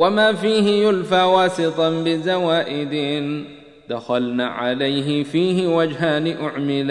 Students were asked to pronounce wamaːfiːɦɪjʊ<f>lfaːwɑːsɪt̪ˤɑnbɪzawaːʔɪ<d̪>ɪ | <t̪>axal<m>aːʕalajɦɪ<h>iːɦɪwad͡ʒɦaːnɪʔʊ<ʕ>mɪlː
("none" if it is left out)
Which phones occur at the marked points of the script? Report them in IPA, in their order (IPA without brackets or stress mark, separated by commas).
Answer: none, d̪, d̪, n, f, ʕ